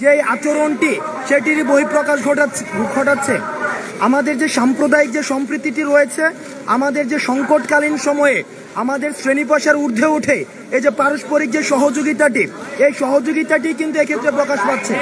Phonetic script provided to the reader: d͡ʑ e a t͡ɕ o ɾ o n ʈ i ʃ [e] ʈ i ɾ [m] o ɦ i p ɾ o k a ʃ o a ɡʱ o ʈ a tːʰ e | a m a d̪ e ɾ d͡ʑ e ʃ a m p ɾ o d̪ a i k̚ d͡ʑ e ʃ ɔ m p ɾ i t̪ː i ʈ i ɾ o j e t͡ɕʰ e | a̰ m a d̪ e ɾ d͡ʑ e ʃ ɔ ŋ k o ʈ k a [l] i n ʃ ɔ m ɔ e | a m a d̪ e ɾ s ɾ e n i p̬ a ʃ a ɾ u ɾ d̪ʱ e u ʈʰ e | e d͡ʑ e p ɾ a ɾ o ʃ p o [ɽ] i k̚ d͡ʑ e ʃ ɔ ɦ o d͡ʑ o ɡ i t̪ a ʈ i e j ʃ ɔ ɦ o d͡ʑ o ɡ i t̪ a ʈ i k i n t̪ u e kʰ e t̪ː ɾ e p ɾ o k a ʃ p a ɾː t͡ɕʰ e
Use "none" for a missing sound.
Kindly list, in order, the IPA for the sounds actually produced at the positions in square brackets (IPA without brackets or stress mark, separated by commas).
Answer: e, b, l, ɾ